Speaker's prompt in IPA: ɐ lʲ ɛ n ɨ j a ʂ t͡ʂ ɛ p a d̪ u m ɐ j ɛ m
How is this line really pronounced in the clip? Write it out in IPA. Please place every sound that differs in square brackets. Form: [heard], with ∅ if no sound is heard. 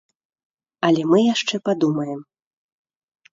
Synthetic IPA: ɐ lʲ ɛ [m] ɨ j a ʂ t͡ʂ ɛ p a d̪ u m ɐ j ɛ m